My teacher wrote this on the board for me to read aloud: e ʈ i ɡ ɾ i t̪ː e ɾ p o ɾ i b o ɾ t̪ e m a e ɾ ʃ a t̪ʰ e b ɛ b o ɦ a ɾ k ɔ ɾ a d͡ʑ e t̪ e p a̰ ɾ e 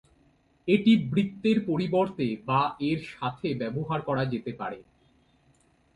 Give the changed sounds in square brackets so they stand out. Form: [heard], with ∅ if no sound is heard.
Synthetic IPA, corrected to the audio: e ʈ i [b] ɾ i t̪ː e ɾ p o ɾ i b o ɾ t̪ e [b] a e ɾ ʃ a t̪ʰ e b ɛ b o ɦ a ɾ k ɔ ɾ a d͡ʑ e t̪ e p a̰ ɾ e